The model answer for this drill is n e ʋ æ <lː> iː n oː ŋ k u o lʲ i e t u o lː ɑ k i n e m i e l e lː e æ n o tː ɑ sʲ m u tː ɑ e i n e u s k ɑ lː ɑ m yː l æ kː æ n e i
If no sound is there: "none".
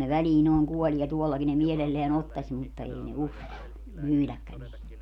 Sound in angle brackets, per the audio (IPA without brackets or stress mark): l